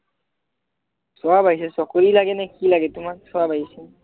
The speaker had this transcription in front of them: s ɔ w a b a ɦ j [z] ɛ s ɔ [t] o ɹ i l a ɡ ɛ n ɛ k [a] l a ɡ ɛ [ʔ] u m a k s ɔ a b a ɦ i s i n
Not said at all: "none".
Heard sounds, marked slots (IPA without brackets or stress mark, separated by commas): s, k, i, t